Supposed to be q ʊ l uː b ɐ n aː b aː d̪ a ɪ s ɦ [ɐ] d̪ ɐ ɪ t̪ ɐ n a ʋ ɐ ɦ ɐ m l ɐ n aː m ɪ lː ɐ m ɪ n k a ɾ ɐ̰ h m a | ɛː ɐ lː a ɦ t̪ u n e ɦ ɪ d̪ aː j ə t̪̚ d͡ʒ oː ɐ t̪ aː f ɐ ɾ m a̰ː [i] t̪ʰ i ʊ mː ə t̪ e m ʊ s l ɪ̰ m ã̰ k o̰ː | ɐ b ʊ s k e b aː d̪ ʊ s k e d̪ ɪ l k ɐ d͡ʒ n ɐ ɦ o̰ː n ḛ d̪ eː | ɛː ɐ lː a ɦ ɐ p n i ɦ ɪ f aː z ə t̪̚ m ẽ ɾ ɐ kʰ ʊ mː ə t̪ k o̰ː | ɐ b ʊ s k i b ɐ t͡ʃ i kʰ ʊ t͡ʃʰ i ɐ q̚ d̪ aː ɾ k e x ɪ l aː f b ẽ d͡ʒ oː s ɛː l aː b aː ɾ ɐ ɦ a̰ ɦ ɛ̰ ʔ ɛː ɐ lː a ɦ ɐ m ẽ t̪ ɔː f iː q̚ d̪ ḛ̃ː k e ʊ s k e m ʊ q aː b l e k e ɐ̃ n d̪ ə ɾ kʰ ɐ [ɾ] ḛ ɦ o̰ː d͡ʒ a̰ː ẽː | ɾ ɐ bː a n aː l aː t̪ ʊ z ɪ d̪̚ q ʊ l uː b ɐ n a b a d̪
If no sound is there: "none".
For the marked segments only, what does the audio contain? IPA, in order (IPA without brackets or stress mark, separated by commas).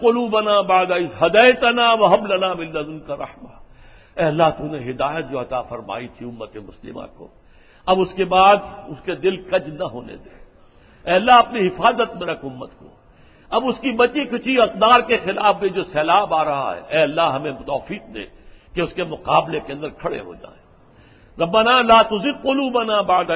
ɐ, i, ɽ